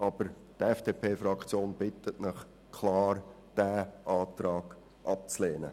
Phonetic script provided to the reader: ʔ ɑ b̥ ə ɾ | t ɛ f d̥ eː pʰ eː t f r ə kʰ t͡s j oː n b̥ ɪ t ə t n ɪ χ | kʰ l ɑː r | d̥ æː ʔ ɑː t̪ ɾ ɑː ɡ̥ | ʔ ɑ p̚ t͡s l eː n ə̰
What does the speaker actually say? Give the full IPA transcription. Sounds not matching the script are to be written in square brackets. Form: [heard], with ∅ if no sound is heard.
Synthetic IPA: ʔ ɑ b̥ ə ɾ | t ɛ f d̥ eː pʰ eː [∅] f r [ɑ] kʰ t͡s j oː n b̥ ɪ t ə t n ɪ χ | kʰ l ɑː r | d̥ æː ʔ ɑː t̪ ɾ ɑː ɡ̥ | ʔ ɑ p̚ t͡s l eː n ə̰